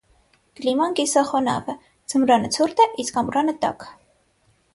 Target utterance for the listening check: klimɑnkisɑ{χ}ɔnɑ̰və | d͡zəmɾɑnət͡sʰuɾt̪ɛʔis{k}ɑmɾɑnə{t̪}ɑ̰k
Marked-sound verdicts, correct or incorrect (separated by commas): correct, correct, correct